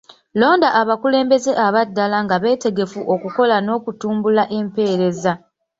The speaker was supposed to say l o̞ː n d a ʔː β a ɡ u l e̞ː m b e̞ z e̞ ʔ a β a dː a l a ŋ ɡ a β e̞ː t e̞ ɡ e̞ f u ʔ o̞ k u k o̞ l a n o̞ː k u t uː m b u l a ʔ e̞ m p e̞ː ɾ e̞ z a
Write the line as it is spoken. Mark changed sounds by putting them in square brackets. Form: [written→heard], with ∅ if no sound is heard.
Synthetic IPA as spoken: l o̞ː n d a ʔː β a [ɡ→k] u l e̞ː m b e̞ z e̞ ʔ a β a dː a l a ŋ ɡ a β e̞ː t e̞ ɡ e̞ f u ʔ o̞ k u k o̞ l a n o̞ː k u t uː m b u l a ʔ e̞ m p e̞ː ɾ e̞ z a